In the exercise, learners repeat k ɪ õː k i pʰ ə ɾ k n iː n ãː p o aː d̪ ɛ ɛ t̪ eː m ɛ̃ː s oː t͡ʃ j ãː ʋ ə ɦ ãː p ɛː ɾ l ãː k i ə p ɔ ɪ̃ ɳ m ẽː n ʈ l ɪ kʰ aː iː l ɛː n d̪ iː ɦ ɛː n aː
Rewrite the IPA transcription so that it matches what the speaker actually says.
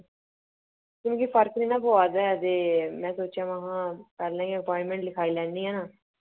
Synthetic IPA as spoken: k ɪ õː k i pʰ ə ɾ k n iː n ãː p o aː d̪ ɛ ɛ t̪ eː m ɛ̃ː s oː t͡ʃ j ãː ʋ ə ɦ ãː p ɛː ɾ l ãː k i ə p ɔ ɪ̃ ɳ m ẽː ɳ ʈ l ɪ kʰ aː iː l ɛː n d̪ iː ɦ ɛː n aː